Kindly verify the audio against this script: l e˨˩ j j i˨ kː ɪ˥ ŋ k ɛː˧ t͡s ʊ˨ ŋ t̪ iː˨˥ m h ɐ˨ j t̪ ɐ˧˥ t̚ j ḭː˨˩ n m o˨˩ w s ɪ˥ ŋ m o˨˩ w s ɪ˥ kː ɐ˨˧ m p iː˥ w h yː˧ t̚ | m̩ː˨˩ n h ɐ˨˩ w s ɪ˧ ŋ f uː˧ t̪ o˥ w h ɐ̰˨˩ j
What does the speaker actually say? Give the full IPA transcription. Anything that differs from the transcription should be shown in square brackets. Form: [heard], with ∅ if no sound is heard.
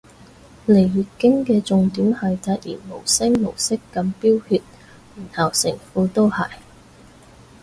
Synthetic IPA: l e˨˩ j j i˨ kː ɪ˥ ŋ k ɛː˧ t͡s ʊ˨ ŋ t̪ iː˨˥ m h ɐ˨ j t̪ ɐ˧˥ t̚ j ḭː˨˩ n m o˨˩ w s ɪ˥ ŋ m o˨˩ w s ɪ˥ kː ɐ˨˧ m p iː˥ w h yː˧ t̚ | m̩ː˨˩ n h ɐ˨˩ w s [ɪ˨˩] ŋ f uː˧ t̪ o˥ w h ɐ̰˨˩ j